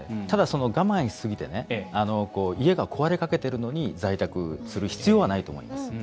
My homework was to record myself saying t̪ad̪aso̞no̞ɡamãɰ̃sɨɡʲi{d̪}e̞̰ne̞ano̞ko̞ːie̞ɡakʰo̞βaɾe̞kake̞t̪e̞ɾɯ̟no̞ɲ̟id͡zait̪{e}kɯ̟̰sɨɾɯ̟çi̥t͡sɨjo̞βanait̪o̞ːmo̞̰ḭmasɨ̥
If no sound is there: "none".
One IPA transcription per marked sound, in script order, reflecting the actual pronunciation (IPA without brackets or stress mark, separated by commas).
t̪, a